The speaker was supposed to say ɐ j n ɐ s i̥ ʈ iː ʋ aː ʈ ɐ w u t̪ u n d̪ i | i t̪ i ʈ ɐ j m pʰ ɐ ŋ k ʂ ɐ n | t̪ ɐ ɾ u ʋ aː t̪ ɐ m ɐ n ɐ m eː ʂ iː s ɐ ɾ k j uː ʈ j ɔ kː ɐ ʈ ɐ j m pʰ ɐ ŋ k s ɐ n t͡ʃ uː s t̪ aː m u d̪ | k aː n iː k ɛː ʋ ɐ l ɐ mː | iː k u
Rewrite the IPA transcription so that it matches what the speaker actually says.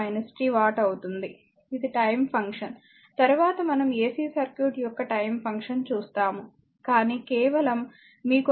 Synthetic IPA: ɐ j n ɐ s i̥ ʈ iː ʋ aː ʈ ɐ w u t̪ u n d̪ i | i d̪ i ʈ ɐ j m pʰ ɐ ŋ k ʂ ɐ n | t̪ ɐ ɾ u ʋ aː t̪ ɐ m ɐ n ɐ m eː s iː s ɐ ɾ k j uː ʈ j ɔ kː ɐ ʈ ɐ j m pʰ ɐ ŋ k ʂ ɐ n t͡ʃ uː s t̪ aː m u | k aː n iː k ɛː ʋ ɐ l ɐ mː | iː k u

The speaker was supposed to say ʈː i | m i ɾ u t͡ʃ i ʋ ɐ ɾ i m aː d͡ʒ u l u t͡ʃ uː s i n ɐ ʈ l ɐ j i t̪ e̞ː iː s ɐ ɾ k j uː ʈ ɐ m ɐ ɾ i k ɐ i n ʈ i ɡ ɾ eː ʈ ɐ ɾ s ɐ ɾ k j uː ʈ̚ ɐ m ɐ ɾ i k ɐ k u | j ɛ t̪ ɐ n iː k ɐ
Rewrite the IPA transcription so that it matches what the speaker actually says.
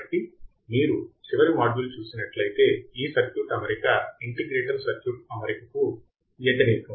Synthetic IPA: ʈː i | m iː ɾ u t͡ʃ i ʋ ɐ ɾ i m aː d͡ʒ u l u t͡ʃ uː s i n ɐ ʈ l ɐ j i t̪ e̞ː iː s ɐ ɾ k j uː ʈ ɐ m ɐ ɾ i k ɐ i ɳ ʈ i ɡ ɾ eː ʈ ɐ ɾ s ɐ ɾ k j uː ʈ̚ ɐ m ɐ ɾ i k ɐ k u | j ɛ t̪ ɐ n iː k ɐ

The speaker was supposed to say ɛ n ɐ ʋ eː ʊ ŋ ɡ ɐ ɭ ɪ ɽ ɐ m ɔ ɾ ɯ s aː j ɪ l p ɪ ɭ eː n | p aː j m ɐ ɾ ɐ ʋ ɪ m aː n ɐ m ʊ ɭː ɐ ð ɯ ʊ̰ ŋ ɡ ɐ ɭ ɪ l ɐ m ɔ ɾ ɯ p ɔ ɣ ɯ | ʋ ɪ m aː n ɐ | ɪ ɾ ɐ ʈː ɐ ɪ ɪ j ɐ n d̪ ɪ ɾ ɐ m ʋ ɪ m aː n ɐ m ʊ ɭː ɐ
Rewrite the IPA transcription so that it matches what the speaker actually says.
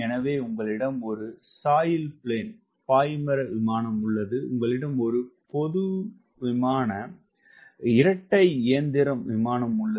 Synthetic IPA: ɛ n ɐ ʋ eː ʊ ŋ ɡ ɐ ɭ ɪ ɽ ɐ m ɔ ɾ ɯ s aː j ɪ l p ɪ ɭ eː n | p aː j m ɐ ɾ ɐ ʋ ɪ m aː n ɐ m ʊ ɭː ɐ ð ɯ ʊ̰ ŋ ɡ ɐ ɭ ɪ ɽ ɐ m ɔ ɾ ɯ p ɔ ð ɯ | ʋ ɪ m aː n ɐ | ɪ ɾ ɐ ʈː ɐ ɪ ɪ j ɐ n d̪ ɪ ɾ ɐ m ʋ ɪ m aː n ɐ m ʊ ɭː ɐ

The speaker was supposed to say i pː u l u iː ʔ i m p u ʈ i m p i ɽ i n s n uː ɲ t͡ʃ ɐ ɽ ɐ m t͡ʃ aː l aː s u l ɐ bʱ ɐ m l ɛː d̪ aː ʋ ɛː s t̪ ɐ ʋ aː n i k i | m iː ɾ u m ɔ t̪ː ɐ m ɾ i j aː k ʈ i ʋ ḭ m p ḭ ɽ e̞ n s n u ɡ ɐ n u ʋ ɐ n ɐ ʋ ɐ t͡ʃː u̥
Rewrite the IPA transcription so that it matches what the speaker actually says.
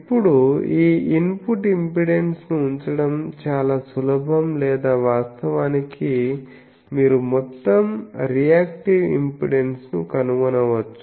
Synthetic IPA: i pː u ɽ u iː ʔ i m p u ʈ i m p i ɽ e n s n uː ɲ t͡ʃ ɐ ɽ ɐ m t͡ʃ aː l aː s u l ɐ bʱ ɐ m l ɛː d̪ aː ʋ aː s t̪ ɐ ʋ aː n i k i | m iː ɾ u m ɔ t̪ː ɐ m ɾ i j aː k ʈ i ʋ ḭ m p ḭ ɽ e̞ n s n u k ɐ n u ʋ ɐ n ɐ ʋ ɐ t͡ʃː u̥

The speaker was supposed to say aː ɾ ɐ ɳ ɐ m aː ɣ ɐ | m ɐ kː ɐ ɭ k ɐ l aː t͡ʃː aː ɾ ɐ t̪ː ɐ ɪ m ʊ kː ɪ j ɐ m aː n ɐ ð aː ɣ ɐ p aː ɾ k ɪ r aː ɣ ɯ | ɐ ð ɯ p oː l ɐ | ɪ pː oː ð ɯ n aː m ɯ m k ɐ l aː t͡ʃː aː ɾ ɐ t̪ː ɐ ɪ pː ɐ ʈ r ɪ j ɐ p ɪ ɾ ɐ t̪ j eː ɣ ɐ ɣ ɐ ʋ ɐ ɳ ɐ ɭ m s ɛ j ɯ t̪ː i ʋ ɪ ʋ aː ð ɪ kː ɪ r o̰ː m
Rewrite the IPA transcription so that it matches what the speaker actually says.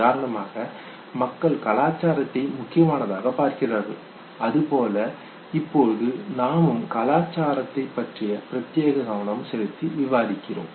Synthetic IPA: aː ɾ ɐ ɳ ɐ m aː ɣ ɐ | m ɐ kː ɐ ɭ k ɐ l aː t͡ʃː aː ɾ ɐ t̪ː ɐ ɪ m ʊ kː ɪ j ɐ m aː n ɐ ð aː ɣ ɐ p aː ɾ k ɪ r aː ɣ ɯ | ɐ ð ɯ p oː l ɐ | ɪ pː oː ð ɯ n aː m ɯ m k ɐ l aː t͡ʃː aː ɾ ɐ t̪ː ɐ ɪ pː ɐ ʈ r ɪ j ɐ p ɪ ɾ ɐ t̪ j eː ɣ ɐ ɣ ɐ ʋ ɐ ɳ ɐ m s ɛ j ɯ t̪ː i ʋ ɪ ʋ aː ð ɪ kː ɪ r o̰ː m

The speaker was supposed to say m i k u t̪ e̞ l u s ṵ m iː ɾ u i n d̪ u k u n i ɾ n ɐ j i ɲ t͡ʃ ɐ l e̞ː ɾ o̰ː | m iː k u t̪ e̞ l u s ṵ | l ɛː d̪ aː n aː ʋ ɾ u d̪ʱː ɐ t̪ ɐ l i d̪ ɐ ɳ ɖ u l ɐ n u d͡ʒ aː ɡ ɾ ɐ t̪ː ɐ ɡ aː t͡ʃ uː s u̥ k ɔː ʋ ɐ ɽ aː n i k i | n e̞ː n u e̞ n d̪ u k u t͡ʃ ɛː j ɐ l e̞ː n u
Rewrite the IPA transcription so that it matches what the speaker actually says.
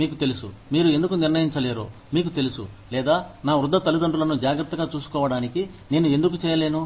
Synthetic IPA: m iː k u t̪ e̞ l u s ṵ m iː ɾ u e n d̪ u k u n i ɾ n ɐ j i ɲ t͡ʃ ɐ l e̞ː ɾ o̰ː | m iː k u t̪ e̞ l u s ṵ | l ɛː d̪ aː n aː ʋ ɾ u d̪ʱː ɐ t̪ ɐ l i d̪ ɐ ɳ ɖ u l ɐ n u d͡ʒ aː ɡ ɾ ɐ t̪ː ɐ ɡ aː t͡ʃ uː s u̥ k ɔː ʋ ɐ ɽ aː n i k i | n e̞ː n u e̞ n d̪ u k u t͡ʃ ɛː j ɐ l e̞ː n u

